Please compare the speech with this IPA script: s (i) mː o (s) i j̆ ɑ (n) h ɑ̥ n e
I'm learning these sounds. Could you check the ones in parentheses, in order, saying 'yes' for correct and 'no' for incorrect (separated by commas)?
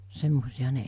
no, yes, no